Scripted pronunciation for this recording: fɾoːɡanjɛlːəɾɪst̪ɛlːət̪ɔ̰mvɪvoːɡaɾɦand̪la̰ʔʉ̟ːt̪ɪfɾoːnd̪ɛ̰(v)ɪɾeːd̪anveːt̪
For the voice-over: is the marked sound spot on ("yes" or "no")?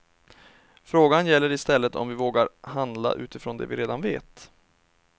yes